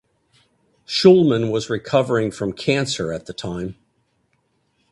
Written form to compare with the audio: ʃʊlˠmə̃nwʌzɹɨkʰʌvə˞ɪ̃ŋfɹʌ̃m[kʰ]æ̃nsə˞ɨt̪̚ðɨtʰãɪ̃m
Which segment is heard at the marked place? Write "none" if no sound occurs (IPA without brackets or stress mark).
kʰ